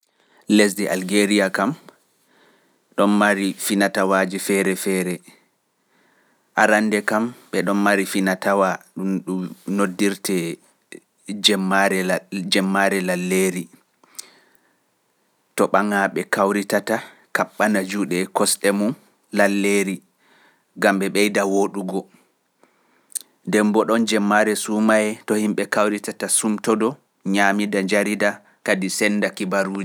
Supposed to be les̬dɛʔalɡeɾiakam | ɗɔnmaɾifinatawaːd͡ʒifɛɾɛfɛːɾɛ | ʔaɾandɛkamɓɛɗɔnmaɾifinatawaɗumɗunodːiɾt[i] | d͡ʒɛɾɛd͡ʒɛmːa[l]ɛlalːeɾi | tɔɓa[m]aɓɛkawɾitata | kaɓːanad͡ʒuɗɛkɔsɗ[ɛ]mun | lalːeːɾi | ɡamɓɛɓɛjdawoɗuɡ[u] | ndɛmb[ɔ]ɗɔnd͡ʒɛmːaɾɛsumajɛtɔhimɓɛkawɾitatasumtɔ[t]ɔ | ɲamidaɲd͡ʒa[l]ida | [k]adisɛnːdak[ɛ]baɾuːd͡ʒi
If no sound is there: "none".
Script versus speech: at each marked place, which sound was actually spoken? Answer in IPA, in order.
ɛ, ɾ, ŋ, ɛ, ɔ, ɔ, d, ɾ, k, i

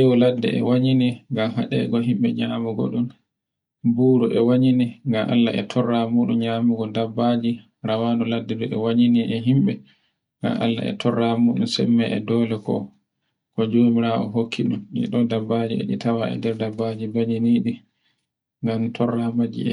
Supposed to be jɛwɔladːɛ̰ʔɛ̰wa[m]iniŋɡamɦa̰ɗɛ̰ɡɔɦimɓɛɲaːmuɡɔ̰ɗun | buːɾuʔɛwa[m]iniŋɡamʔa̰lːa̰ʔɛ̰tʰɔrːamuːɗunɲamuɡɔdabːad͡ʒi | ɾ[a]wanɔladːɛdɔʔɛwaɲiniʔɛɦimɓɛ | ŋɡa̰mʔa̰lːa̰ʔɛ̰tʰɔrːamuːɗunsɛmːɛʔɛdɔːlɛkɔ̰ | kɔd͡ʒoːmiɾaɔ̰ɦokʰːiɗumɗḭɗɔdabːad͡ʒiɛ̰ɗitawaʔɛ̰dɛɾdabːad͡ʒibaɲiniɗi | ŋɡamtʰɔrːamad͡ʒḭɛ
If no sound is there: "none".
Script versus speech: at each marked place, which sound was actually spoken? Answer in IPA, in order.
ɲ, ɲ, a

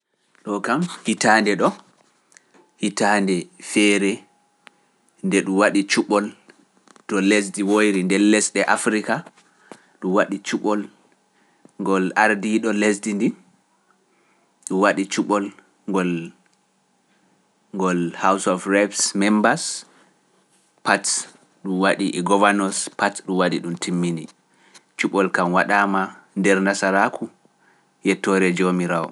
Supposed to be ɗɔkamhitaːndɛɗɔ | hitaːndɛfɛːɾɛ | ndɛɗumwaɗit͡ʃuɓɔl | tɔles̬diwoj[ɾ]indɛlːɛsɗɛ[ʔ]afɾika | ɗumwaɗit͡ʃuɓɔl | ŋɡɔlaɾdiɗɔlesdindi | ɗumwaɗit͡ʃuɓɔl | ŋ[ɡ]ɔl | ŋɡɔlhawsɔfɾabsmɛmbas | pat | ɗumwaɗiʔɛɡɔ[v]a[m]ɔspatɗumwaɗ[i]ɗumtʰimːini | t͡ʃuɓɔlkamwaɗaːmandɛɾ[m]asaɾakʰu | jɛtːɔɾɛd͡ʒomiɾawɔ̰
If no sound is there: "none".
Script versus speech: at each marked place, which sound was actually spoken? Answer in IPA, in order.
ɾ, ʔ, ɡ, v, n, i, n

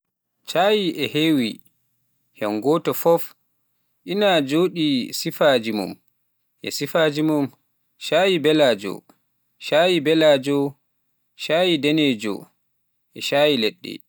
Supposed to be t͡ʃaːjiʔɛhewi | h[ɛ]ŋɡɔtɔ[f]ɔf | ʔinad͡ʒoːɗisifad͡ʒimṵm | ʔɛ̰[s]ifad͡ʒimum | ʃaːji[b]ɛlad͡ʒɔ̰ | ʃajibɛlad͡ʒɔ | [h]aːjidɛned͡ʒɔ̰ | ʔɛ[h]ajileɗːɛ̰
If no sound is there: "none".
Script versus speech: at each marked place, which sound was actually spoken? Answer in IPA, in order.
ɛ, f, s, b, ʃ, ʃ

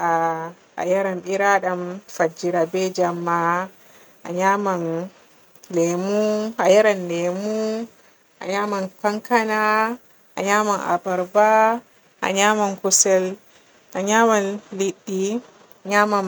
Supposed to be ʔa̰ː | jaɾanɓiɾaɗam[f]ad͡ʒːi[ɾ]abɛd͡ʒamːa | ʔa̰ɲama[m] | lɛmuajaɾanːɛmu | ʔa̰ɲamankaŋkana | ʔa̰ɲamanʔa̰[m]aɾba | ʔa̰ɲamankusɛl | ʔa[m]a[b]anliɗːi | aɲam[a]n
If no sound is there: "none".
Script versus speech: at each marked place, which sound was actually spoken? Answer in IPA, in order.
f, ɾ, n, b, ɲ, m, a

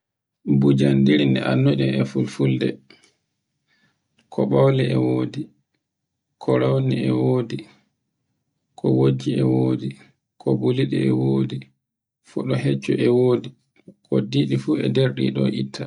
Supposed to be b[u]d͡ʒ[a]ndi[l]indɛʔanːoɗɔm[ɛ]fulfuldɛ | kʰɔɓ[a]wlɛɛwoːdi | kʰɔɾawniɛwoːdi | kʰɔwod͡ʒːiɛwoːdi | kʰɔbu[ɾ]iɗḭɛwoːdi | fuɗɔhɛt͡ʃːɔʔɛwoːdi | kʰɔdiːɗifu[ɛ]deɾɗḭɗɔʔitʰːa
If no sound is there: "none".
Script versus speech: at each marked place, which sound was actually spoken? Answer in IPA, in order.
u, a, ɾ, ɛ, a, l, ɛ

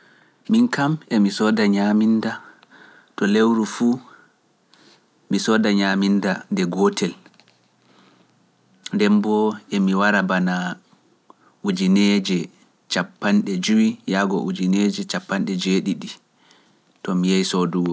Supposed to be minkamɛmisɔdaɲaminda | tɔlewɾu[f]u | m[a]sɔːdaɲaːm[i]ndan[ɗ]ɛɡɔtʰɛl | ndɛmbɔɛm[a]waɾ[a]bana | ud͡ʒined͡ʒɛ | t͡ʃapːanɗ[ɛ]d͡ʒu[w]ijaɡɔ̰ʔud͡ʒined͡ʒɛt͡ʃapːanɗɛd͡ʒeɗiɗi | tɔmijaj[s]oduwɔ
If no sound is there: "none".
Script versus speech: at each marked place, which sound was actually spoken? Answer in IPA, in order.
f, i, i, d, i, a, ɛ, w, s

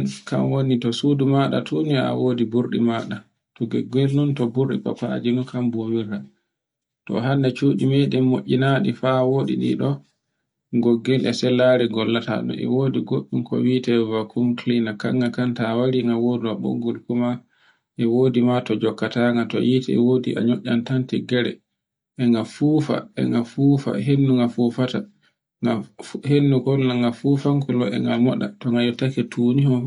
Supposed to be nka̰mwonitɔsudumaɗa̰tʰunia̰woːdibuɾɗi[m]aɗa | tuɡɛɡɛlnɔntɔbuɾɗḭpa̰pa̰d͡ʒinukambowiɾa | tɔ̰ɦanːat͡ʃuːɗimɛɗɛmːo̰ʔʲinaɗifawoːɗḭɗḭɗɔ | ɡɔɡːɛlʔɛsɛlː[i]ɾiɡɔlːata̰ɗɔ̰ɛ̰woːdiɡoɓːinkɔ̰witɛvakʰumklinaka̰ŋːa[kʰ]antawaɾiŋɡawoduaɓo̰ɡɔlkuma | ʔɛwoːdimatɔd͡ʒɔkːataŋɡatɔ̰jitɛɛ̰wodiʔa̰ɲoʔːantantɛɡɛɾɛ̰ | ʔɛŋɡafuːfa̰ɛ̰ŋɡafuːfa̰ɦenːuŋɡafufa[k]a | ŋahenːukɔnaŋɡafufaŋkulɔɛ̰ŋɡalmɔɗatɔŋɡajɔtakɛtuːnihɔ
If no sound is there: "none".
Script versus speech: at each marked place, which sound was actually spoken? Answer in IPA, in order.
m, a, k, t

